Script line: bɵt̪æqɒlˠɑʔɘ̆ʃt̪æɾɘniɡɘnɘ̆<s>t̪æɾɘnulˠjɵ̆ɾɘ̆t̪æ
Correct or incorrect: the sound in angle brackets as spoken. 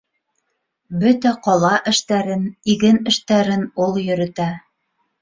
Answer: incorrect: ʃ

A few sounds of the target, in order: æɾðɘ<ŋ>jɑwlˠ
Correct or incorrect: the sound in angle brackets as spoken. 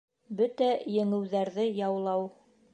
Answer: incorrect: none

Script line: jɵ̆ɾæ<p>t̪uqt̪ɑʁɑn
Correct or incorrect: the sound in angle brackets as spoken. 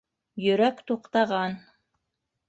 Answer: incorrect: k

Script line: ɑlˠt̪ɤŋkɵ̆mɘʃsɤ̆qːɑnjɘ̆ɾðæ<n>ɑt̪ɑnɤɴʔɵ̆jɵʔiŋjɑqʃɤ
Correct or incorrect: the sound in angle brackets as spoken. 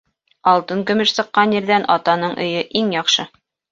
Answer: correct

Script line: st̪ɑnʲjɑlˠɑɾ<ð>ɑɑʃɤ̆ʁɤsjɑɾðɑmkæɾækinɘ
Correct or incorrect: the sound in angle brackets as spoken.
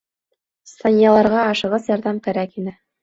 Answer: incorrect: ʁ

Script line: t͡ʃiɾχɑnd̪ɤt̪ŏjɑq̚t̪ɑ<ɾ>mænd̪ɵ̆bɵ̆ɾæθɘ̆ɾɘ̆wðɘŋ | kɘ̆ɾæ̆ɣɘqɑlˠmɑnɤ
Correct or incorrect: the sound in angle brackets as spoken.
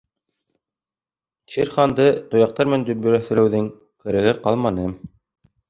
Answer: correct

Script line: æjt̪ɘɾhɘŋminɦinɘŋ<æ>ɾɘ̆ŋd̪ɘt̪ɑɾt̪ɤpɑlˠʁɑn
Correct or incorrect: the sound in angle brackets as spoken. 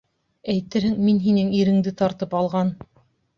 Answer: incorrect: i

